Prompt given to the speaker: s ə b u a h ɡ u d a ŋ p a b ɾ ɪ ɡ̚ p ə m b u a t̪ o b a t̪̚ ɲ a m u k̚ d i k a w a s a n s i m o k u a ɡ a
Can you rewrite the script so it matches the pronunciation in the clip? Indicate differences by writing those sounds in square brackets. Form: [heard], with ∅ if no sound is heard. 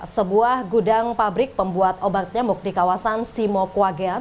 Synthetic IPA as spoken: s ə b u a h ɡ u d a ŋ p a b ɾ ɪ [k̚] p ə m b u a t̪ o b a t̪̚ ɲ a m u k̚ d i k a w a s a n s i m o k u a ɡ a